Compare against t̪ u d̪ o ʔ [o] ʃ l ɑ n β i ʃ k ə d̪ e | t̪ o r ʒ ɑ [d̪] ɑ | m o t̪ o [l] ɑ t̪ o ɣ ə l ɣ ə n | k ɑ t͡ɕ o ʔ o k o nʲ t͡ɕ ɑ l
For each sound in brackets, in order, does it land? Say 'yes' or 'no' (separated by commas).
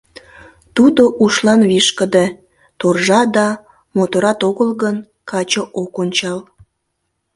no, yes, no